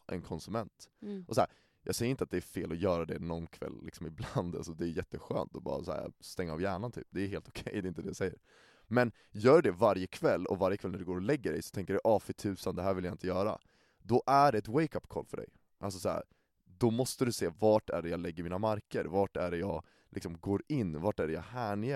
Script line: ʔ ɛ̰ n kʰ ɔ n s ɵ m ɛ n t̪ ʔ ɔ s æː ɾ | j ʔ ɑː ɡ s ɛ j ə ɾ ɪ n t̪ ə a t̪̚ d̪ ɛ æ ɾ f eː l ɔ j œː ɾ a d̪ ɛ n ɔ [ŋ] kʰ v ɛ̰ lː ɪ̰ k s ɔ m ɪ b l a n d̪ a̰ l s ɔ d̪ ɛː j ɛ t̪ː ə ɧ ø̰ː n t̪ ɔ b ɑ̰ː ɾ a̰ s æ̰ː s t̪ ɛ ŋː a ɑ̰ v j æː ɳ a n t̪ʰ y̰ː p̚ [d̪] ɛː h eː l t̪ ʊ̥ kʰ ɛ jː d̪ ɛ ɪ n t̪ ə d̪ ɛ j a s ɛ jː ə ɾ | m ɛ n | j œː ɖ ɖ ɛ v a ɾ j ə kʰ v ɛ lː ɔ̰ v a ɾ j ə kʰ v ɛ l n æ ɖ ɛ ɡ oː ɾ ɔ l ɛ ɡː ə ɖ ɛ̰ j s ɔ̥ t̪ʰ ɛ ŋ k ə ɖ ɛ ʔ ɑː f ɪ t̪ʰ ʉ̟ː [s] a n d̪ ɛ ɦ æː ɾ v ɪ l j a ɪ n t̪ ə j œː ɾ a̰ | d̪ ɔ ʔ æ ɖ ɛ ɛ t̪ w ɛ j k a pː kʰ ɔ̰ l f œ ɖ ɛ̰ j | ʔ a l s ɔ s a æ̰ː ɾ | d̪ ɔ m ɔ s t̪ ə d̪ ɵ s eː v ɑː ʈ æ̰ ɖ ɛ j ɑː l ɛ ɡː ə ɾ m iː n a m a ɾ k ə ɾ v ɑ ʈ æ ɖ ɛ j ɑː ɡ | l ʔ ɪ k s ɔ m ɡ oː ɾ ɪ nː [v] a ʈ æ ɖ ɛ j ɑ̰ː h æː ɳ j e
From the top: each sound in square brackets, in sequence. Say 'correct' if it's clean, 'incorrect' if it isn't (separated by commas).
incorrect, correct, correct, correct